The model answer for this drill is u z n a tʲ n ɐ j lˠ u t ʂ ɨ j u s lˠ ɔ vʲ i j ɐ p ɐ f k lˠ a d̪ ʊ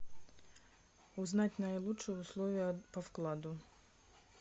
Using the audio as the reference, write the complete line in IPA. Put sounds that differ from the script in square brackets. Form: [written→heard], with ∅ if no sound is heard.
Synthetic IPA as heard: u z n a tʲ n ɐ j lˠ u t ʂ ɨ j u s lˠ ɔ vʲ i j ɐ p ɐ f k lˠ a d̪ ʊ